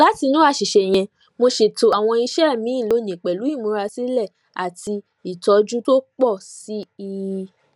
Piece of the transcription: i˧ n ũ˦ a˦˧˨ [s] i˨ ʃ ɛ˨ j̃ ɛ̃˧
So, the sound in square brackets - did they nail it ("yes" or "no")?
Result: no